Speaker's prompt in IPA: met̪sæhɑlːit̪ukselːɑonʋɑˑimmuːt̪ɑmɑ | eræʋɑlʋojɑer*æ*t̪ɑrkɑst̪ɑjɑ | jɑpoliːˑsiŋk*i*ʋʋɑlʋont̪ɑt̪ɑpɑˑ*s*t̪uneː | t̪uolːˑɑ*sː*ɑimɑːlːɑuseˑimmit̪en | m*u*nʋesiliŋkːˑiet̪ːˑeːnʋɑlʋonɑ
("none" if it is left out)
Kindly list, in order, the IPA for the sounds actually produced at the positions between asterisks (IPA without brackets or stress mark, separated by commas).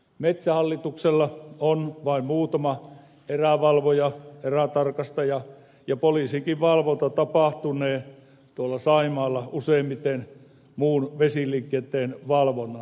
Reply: æ, i, h, s, uː